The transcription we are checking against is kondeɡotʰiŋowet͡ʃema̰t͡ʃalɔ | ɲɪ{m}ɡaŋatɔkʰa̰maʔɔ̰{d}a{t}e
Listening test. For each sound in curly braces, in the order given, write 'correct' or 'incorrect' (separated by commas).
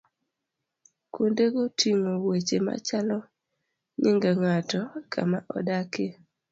incorrect, correct, incorrect